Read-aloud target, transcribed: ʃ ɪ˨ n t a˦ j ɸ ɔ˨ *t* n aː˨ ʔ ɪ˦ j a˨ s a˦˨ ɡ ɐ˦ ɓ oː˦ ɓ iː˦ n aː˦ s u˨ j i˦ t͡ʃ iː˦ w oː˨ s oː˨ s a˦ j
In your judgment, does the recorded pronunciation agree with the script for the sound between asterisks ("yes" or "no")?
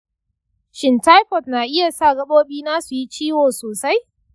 yes